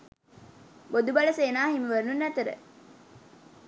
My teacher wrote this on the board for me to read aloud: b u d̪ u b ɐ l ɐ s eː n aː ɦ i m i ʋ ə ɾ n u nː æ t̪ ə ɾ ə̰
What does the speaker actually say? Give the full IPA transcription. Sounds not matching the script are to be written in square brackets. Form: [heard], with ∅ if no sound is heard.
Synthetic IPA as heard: b [o] d̪ u b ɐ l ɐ s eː n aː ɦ i m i ʋ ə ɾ n u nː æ t̪ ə ɾ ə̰